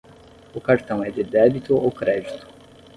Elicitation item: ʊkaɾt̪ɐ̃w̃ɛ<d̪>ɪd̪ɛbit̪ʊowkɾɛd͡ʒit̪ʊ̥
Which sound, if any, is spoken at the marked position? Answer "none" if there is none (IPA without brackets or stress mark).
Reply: d̪